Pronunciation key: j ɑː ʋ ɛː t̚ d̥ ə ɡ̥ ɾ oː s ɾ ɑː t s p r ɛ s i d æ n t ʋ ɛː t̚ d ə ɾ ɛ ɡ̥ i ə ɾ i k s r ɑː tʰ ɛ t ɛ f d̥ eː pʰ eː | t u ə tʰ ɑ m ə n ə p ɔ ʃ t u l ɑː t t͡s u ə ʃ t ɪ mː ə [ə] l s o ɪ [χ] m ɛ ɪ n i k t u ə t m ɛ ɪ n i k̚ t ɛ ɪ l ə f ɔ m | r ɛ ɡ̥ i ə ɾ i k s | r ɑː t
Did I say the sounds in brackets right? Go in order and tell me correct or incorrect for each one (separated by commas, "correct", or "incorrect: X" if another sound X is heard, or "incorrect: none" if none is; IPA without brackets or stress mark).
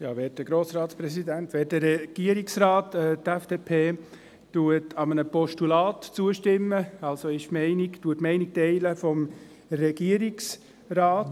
incorrect: ɑ, incorrect: ʃ